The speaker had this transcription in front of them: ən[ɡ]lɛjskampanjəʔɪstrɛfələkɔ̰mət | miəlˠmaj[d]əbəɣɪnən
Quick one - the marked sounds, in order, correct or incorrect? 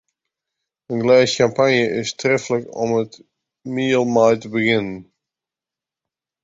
correct, incorrect

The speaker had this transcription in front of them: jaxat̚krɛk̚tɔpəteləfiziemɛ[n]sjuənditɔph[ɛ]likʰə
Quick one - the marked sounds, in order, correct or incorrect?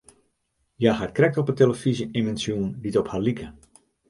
correct, incorrect

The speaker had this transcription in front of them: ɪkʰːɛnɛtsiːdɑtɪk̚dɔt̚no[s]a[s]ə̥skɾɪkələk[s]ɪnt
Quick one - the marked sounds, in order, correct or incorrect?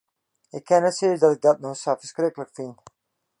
correct, incorrect, incorrect

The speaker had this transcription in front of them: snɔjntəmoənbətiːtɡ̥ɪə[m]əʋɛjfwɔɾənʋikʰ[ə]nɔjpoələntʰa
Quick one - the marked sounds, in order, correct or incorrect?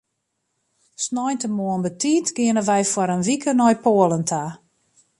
incorrect, correct

